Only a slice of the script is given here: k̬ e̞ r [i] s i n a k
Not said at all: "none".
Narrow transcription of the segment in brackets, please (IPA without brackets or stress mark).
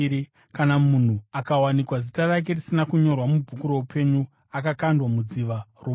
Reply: i